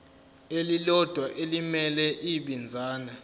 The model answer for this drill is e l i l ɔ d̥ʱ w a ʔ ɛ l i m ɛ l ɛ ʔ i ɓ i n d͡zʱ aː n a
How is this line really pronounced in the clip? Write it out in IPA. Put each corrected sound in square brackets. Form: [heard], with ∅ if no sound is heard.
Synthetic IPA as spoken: e l i l ɔ d̥ʱ w a ʔ [e] l i m ɛ l ɛ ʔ i ɓ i n d͡zʱ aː n a